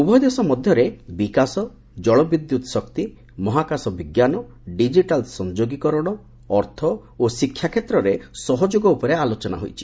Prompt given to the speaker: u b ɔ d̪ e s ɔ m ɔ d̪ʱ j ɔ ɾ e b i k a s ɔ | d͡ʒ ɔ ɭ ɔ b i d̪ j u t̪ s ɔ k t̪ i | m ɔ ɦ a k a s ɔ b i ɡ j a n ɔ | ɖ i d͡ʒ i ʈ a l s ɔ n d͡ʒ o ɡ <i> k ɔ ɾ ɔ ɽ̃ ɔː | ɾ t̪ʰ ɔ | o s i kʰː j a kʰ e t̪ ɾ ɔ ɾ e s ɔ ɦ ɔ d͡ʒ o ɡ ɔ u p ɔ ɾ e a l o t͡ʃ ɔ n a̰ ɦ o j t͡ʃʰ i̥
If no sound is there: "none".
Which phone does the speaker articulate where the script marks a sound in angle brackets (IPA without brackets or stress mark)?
i